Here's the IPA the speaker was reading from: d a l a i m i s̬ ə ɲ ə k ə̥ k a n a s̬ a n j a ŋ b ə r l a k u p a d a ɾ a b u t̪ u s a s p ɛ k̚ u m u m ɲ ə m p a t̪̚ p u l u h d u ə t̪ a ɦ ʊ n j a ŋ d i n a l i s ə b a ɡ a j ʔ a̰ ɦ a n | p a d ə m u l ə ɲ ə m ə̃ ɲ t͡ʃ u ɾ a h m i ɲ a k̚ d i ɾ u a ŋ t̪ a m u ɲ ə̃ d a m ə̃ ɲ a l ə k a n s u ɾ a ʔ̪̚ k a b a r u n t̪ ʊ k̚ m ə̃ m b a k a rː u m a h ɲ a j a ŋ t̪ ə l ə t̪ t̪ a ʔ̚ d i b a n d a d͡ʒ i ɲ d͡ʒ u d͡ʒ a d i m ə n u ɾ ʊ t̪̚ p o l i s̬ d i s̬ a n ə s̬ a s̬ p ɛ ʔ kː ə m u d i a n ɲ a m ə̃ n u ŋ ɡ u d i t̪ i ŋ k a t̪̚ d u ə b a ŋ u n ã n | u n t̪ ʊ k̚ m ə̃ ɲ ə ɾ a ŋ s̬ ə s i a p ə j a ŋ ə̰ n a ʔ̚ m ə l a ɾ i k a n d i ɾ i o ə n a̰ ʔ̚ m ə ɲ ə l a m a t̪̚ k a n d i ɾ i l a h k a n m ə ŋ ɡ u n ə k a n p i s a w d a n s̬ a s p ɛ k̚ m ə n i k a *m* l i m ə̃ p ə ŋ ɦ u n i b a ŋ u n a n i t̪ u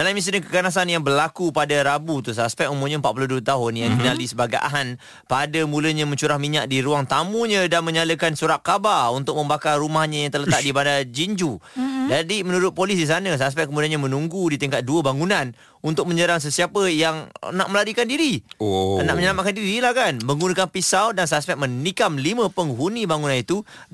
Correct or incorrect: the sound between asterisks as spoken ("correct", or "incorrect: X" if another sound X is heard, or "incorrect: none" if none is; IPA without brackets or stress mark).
correct